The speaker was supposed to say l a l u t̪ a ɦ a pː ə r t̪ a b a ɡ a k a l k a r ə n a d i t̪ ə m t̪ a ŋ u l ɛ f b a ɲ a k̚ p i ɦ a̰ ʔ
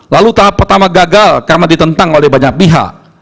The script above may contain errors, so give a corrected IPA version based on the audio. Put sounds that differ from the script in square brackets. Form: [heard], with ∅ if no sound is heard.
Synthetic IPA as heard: l a l u t̪ a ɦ a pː ə r t̪ a [m] a ɡ a [ɡ] a l k a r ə n a d i t̪ ə [n] t̪ a ŋ [o] l ɛ [h] b a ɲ a k̚ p i ɦ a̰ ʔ